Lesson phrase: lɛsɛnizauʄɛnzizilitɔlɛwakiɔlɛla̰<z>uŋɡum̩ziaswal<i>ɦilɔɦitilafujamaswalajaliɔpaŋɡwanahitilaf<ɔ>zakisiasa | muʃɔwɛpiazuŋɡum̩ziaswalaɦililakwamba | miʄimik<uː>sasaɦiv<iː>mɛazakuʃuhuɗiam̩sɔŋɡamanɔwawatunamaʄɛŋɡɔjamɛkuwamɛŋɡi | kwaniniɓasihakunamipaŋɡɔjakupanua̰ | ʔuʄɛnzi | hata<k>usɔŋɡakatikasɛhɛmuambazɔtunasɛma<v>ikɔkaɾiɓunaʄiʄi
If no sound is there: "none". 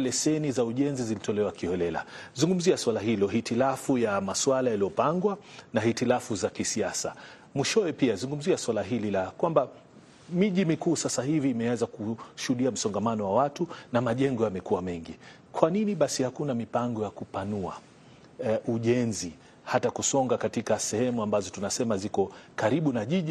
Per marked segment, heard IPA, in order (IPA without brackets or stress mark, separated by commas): z, a, u, uː, iː, k, z